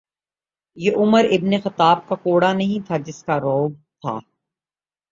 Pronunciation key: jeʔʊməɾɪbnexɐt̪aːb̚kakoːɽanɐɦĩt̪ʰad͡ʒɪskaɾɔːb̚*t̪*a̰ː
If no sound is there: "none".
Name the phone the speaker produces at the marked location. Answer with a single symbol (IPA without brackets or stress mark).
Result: t̪ʰ